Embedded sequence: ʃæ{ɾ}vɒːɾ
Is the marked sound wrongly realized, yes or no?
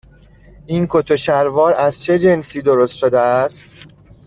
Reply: no